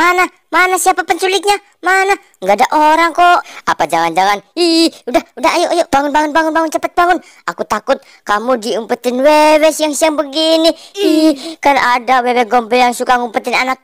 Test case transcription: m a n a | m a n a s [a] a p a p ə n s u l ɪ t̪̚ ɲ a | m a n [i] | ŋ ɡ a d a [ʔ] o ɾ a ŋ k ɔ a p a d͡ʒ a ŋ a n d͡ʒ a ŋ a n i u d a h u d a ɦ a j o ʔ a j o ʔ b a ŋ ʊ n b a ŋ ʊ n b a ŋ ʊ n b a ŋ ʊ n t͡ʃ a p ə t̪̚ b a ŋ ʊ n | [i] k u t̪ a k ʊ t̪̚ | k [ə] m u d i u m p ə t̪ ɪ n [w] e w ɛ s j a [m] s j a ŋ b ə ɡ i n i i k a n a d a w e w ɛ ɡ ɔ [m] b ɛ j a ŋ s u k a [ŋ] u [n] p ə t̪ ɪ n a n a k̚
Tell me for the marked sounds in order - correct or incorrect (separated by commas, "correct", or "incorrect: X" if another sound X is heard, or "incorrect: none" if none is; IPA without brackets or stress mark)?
incorrect: i, incorrect: a, correct, incorrect: a, incorrect: a, correct, incorrect: ŋ, correct, correct, incorrect: m